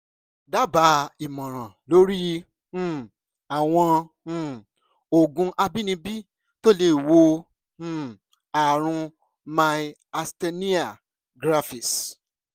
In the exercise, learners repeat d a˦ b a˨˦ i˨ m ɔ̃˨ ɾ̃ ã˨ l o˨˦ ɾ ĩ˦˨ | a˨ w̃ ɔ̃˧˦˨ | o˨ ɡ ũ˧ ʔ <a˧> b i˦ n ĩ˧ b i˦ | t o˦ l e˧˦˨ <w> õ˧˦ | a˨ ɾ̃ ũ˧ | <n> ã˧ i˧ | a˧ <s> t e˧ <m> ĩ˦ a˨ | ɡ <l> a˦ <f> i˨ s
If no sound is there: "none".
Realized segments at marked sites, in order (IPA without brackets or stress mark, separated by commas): a˧, w, m, s, n, ɾ, f